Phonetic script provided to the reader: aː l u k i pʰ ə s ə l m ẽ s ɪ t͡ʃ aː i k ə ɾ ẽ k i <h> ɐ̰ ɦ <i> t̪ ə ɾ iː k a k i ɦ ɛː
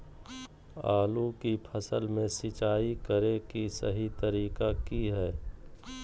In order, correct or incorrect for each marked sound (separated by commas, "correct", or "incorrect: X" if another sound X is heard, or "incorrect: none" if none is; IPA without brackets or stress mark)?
incorrect: s, correct